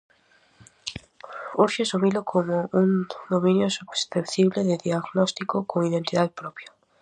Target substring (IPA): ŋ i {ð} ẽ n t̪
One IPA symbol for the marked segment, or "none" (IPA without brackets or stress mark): ð